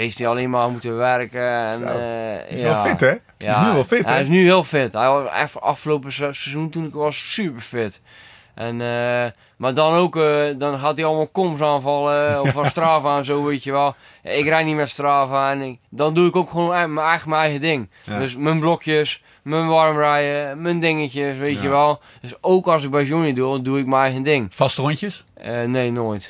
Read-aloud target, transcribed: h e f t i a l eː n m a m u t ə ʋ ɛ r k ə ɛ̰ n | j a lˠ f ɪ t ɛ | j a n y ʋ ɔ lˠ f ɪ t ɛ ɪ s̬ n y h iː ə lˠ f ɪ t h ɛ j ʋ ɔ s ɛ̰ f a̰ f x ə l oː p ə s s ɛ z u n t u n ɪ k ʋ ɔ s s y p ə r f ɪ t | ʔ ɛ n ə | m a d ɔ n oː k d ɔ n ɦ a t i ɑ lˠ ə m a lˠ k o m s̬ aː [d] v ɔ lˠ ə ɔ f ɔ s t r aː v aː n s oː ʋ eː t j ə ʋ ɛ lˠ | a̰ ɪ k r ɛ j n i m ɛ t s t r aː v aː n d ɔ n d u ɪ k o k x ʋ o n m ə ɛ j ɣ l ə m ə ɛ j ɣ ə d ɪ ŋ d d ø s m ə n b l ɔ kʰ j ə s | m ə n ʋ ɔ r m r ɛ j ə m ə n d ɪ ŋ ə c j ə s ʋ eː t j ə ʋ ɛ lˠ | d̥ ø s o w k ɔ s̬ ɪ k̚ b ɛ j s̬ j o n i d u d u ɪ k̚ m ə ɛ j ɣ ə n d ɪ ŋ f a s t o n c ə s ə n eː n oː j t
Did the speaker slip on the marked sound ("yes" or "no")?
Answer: yes